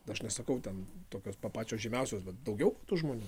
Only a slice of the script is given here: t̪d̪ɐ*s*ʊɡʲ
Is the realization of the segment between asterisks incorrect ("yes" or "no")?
yes